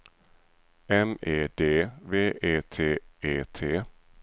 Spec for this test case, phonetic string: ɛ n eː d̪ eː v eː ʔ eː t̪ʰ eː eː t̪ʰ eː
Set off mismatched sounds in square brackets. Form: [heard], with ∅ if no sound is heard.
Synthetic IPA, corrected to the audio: ɛ [m] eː d̪ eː v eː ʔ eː t̪ʰ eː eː t̪ʰ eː